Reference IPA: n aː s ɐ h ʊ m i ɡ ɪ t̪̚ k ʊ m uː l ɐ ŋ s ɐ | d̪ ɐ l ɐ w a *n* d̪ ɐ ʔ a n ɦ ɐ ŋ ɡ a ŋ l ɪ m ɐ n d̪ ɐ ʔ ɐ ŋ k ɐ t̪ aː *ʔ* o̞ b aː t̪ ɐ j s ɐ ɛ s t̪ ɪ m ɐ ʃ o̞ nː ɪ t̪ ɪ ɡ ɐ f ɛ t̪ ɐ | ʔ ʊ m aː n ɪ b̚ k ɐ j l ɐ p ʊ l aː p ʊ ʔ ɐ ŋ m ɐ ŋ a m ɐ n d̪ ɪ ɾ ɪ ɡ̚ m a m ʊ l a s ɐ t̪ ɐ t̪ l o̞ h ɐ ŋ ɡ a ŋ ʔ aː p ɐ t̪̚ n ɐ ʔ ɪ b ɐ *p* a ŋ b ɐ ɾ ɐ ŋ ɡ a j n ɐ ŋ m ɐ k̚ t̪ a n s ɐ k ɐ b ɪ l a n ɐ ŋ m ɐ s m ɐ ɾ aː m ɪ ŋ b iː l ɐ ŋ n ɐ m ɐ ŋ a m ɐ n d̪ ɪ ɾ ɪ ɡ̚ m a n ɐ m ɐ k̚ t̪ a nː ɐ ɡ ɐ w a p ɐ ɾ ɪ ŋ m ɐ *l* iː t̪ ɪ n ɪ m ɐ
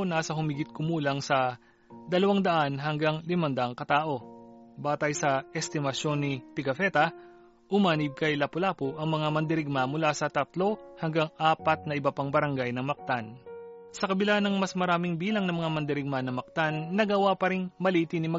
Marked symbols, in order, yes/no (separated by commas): no, yes, yes, yes